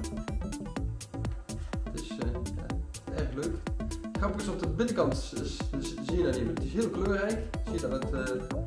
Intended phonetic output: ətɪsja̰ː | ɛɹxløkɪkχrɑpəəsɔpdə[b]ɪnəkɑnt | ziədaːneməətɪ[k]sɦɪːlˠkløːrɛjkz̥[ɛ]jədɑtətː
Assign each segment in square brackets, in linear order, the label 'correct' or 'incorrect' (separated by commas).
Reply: correct, incorrect, incorrect